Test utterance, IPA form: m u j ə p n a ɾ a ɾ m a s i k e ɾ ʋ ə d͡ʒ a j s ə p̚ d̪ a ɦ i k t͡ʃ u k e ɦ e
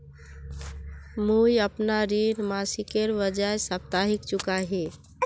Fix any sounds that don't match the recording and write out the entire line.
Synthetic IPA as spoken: m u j ə p n a ɾ i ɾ m a s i k e ɾ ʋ ə d͡ʒ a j s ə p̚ t̪ a ɦ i k t͡ʃ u k a ɦ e